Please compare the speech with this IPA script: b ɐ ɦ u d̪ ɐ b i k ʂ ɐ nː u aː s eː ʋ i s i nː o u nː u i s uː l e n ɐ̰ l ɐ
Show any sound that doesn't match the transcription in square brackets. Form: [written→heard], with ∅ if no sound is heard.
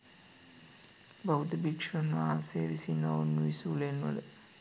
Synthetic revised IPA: b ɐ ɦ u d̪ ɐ b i k ʂ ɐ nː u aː s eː ʋ i s i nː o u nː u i s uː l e n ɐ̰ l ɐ